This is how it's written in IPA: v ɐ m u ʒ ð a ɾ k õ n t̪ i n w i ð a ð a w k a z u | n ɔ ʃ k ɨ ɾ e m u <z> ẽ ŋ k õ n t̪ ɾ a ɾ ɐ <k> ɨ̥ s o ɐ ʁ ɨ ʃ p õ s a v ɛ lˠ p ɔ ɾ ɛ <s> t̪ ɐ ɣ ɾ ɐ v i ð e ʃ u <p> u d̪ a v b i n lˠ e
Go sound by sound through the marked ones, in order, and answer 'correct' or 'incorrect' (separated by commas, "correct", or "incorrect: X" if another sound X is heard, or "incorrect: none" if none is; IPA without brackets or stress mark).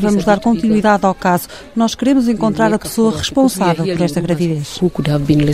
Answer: correct, incorrect: p, incorrect: ʃ, incorrect: k